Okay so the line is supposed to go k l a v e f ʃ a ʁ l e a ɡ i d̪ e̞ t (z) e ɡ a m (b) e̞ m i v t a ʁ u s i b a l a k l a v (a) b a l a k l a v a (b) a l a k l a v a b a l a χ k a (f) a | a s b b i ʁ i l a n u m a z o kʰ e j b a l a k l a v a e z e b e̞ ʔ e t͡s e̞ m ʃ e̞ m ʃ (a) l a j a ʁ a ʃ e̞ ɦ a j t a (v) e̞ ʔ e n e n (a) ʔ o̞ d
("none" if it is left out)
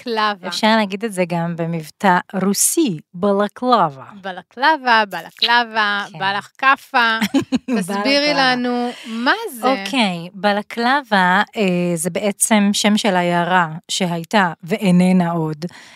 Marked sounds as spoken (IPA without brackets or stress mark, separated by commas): z, b, a, b, f, e, v, a